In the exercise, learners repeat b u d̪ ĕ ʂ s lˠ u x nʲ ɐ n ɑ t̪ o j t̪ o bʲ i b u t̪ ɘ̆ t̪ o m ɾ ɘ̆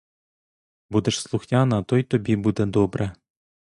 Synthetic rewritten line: b u d̪ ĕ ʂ s lˠ u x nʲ ɑ n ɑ t̪ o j t̪ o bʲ i b u d̪ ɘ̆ d̪ o b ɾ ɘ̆